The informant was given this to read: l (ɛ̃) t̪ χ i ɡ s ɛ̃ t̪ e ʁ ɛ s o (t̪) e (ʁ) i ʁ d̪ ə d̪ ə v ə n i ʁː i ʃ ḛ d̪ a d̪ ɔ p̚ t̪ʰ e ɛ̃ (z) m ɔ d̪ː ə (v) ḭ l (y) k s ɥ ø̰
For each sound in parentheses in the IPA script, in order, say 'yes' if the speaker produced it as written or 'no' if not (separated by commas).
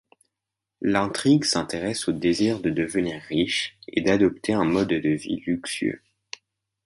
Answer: yes, no, no, no, yes, yes